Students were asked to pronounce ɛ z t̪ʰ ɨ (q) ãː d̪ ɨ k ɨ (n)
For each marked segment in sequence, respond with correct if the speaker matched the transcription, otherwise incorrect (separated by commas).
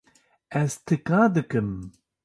incorrect, incorrect